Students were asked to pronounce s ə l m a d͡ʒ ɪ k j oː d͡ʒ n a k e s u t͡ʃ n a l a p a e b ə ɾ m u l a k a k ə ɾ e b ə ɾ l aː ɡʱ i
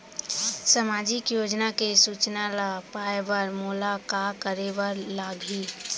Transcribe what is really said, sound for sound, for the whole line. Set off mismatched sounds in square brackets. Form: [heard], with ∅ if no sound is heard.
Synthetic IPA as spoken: s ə [∅] m a d͡ʒ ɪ k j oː d͡ʒ n a k e s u t͡ʃ n a l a p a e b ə ɾ m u l a k a k ə ɾ e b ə ɾ l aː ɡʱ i